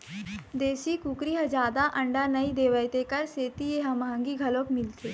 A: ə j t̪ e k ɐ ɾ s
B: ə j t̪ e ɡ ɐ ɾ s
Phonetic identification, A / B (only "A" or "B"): A